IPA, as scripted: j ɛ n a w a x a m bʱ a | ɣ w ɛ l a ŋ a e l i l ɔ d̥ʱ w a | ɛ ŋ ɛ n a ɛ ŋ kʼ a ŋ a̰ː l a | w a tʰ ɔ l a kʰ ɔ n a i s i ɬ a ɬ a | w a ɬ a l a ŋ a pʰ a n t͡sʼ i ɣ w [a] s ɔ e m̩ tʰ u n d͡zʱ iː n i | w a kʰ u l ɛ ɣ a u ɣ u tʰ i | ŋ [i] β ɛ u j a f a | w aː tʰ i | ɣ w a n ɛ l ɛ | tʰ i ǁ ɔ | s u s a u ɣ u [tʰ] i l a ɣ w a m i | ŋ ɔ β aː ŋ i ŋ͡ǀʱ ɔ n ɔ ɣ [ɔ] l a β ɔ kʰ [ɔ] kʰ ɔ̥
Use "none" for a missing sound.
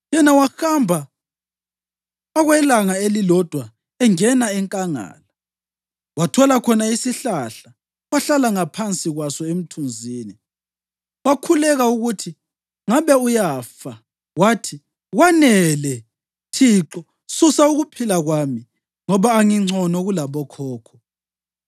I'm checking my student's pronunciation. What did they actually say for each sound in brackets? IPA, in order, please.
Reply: a, a, pʰ, u, ɔː

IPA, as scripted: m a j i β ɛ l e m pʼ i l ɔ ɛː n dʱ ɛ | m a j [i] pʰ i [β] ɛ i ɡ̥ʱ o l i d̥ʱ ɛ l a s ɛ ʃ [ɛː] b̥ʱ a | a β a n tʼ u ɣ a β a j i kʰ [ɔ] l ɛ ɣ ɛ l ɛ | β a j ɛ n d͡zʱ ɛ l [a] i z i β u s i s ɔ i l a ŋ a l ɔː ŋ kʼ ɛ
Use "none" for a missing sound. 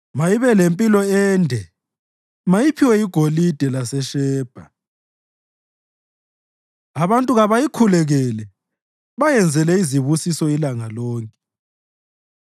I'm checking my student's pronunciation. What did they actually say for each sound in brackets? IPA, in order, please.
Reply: i, w, ɛː, u, ɛ

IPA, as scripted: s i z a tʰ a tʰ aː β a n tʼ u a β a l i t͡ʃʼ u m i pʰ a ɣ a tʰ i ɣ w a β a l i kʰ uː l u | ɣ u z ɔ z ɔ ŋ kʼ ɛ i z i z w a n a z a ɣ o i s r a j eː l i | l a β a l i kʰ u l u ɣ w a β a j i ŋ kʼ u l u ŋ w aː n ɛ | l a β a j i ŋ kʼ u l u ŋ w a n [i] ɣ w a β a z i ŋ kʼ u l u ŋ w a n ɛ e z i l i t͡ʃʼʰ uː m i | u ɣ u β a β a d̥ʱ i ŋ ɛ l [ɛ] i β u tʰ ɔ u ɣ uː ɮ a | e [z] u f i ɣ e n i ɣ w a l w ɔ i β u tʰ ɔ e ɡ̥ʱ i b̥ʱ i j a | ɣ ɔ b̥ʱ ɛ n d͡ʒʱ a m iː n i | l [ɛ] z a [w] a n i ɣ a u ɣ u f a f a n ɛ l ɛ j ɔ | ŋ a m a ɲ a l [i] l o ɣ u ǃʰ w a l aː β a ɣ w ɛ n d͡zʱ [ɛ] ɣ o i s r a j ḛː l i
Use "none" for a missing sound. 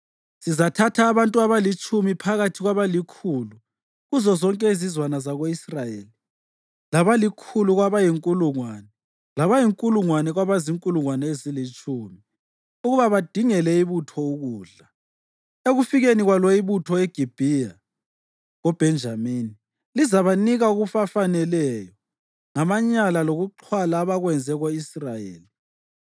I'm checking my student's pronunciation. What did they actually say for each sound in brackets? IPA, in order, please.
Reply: ɛ, ɛ, ɣ, i, β, a, ɛ

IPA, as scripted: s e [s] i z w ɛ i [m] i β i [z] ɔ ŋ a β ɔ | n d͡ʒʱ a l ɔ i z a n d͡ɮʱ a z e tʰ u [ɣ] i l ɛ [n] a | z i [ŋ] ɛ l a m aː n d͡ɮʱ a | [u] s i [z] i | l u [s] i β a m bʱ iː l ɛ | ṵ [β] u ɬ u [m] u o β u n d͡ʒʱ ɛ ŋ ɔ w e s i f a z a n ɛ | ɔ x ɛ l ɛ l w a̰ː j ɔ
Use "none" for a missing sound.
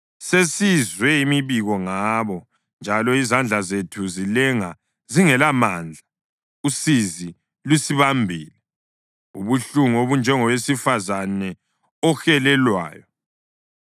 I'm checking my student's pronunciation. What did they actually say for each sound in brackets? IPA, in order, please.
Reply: s, m, ɣ, z, ŋ, ŋ, u, z, s, β, ŋ

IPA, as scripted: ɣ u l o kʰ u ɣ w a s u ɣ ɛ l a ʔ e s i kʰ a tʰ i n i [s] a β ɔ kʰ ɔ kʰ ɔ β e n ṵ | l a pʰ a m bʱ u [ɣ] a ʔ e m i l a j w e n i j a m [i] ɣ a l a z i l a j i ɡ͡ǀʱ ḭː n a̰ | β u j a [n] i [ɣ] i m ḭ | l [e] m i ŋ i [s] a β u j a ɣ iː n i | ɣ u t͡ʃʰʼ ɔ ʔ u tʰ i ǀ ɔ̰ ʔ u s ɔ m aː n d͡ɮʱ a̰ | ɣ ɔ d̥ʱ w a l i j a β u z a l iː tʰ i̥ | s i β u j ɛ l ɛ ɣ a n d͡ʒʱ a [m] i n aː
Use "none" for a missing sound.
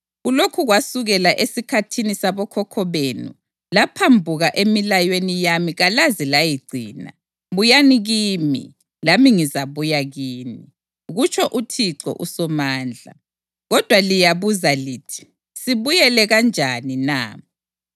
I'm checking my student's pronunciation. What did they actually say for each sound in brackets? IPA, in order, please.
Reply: s, ɣ, i, n, ɣ, a, z, n

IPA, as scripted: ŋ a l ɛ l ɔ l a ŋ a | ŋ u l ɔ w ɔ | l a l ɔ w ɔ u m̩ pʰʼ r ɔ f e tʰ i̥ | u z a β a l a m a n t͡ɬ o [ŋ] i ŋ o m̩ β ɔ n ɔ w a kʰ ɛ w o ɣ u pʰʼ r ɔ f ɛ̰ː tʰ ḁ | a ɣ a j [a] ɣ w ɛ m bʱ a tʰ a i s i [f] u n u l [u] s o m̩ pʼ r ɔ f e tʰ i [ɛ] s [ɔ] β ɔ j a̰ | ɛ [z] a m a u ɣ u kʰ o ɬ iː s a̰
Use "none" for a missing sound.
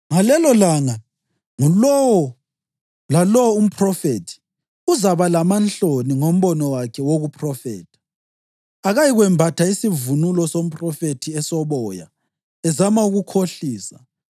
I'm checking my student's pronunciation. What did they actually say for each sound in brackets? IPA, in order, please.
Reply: n, i, v, ɔ, ɛ, ɔ, z

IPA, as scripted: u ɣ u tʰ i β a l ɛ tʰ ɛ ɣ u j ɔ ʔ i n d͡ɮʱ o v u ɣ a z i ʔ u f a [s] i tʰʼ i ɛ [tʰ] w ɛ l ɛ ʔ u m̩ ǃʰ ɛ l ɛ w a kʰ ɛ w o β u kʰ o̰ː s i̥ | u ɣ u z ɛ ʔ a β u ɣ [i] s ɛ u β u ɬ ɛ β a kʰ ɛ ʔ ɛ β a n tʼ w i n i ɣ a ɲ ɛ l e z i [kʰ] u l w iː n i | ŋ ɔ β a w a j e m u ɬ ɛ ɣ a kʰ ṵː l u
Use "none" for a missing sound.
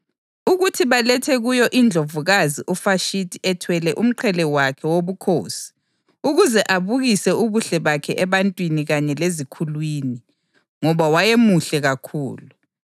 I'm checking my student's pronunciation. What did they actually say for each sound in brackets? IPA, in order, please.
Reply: ʃ, tʰ, i, kʰ

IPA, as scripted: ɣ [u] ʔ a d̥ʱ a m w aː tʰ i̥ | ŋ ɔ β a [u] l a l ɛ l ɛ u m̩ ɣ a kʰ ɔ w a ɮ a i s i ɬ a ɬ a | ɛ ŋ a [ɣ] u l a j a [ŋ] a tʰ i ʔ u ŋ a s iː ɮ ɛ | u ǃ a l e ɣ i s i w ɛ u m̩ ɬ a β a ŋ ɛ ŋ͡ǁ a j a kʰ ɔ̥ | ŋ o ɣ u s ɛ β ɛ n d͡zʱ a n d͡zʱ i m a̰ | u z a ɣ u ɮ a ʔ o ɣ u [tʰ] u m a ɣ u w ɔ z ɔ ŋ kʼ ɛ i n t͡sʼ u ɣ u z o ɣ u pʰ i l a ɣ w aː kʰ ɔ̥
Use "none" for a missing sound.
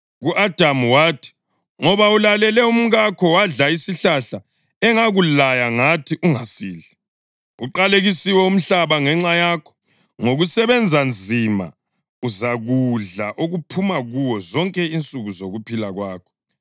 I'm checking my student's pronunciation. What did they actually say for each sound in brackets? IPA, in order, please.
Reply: u, u, ɣ, ŋ, pʰ

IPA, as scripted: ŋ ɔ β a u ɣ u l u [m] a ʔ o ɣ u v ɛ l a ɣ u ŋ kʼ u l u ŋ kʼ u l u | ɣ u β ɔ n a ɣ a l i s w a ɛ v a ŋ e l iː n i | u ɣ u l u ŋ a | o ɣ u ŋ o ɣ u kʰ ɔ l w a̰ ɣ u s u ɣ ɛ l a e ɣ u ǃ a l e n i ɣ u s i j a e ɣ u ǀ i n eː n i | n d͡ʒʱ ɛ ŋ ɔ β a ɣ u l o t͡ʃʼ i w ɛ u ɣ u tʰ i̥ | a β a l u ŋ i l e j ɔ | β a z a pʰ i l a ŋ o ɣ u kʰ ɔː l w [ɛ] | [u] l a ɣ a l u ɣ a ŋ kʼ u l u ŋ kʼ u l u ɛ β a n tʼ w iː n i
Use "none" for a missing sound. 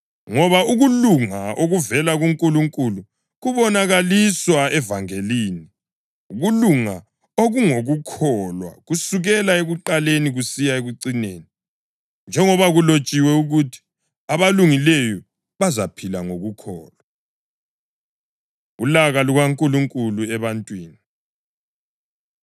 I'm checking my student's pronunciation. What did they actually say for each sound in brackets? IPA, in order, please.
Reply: ŋ, a, u

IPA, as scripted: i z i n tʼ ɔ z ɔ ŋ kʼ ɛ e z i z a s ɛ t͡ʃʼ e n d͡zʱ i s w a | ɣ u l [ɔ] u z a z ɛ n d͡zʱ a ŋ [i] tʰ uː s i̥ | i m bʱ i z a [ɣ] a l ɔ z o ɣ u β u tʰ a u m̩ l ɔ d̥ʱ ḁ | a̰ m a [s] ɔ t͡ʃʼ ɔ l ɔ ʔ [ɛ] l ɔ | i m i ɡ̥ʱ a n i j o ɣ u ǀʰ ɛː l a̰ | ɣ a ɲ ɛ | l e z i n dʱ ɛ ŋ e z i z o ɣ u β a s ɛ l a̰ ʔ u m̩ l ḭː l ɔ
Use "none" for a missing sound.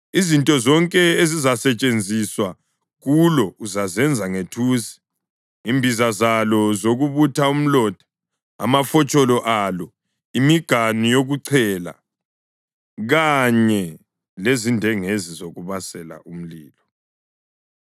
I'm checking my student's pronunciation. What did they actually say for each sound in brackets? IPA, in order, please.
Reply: ɔ, e, z, f, a

